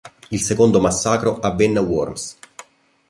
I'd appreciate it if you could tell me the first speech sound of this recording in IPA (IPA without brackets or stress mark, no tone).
i